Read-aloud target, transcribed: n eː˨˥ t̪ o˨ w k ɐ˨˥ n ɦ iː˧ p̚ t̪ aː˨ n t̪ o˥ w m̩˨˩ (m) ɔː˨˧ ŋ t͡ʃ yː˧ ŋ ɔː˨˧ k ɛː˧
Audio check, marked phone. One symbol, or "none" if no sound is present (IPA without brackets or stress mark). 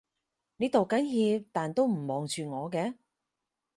m